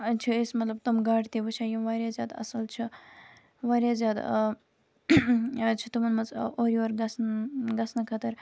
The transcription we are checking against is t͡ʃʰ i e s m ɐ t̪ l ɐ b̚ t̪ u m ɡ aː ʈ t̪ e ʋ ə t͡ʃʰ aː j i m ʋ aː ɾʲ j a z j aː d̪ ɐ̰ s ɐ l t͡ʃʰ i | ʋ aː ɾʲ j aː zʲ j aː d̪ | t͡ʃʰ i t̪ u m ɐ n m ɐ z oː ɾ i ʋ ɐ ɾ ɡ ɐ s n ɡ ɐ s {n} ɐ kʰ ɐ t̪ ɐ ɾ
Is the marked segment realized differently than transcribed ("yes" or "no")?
no